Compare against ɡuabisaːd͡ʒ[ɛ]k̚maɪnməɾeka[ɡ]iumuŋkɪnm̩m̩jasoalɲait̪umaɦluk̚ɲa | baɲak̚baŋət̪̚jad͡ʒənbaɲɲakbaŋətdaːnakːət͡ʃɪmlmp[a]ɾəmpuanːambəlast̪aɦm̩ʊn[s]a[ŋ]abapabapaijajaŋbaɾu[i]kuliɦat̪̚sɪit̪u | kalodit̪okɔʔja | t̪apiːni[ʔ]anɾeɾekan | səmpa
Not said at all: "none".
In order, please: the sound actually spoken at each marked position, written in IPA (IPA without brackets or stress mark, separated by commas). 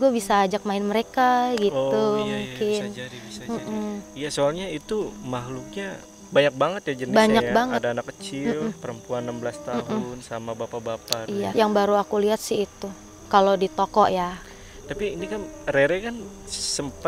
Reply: a, ɡ, ə, s, m, a, k